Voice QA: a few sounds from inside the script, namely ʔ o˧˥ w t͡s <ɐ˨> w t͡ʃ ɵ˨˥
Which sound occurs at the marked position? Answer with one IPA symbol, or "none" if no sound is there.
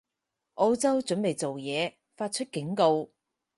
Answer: ɐ˥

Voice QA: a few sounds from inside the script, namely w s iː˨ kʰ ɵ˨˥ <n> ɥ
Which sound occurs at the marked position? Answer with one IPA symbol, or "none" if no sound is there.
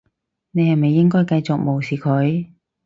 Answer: none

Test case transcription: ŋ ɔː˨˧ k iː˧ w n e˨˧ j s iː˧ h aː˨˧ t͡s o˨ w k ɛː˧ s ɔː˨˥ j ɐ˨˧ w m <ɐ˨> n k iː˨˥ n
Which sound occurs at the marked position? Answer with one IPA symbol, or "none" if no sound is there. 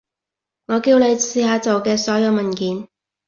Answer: ɐ˨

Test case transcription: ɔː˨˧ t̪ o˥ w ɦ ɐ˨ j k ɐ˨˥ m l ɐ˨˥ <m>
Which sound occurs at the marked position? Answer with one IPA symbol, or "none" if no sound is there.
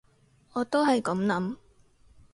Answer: m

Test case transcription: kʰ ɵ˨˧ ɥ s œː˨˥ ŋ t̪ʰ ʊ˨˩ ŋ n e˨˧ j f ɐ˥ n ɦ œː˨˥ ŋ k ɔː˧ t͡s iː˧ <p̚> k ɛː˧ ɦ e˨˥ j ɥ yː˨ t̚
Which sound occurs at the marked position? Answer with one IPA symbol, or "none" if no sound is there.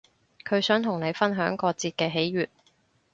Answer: t̚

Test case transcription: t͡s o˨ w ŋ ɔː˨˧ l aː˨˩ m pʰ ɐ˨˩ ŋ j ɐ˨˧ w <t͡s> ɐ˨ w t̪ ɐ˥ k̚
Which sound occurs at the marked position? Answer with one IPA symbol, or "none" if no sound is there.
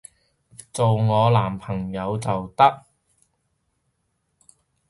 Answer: t͡s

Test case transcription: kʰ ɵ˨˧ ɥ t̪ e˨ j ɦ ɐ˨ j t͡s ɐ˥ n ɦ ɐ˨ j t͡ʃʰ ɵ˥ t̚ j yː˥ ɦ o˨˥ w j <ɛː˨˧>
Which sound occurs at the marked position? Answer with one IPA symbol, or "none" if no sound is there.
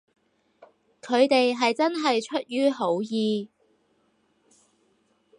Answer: iː˨˧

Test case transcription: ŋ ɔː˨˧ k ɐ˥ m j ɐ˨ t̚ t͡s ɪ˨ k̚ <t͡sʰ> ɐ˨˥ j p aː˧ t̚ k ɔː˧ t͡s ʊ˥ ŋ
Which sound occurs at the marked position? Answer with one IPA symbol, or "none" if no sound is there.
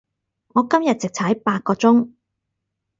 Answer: t͡sʰ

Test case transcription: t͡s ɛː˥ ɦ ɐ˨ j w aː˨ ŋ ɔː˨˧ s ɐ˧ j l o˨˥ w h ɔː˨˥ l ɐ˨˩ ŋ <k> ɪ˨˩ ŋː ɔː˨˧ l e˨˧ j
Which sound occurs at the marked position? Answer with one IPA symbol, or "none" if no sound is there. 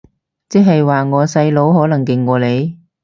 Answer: k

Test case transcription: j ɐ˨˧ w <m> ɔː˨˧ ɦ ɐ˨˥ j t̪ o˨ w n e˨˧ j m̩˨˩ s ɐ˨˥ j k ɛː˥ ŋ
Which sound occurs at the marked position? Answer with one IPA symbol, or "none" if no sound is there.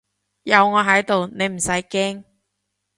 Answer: ŋ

